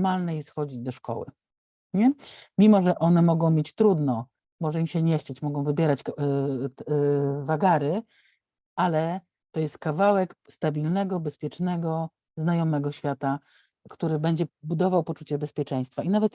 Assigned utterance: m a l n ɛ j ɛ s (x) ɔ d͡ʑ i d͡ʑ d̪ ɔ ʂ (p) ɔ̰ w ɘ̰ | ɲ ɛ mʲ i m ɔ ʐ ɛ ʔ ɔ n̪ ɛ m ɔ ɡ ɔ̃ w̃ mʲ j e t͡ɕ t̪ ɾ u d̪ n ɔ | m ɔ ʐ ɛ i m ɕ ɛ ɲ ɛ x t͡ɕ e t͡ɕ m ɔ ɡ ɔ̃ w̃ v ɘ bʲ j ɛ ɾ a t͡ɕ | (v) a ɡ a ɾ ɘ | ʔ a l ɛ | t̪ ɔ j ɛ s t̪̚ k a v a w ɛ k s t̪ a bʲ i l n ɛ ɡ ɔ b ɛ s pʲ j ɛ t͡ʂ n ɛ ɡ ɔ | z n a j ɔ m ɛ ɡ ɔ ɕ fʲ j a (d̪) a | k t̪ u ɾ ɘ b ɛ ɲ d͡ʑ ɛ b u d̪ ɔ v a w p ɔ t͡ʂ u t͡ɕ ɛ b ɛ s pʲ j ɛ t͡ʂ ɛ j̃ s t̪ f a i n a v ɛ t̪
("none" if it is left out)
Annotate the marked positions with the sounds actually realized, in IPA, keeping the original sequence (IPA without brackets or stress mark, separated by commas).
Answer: x, k, v, t̪